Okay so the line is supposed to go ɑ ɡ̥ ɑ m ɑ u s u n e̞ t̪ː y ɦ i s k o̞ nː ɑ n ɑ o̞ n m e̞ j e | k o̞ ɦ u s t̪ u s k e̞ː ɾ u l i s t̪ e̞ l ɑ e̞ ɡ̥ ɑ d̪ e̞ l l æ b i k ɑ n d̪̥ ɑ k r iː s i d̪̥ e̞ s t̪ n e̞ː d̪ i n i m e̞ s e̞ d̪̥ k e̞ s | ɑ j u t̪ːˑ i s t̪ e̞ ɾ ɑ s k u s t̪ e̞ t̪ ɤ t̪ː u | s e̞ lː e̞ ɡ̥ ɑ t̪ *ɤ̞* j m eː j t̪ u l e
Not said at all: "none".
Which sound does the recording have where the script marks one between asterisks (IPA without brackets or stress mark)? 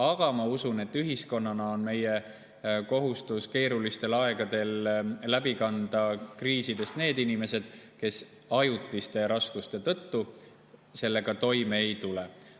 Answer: o̞